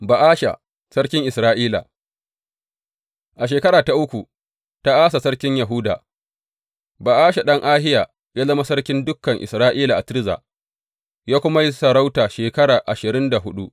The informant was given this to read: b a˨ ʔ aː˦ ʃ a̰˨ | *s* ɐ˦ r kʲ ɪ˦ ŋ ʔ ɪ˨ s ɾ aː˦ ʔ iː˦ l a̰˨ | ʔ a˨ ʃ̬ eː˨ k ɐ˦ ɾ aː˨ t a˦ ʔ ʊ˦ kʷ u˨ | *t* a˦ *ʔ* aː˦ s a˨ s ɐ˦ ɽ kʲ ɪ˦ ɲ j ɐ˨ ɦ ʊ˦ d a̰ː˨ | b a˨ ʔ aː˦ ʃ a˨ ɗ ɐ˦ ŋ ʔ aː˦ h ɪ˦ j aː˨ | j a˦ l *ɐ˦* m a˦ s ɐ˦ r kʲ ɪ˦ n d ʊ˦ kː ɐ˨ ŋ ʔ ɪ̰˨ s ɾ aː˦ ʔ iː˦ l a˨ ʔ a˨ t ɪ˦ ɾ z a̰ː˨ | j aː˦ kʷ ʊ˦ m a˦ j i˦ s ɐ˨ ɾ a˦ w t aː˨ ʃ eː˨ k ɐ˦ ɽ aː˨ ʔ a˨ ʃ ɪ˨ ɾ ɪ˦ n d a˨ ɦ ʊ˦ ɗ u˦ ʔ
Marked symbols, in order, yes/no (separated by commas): yes, yes, yes, yes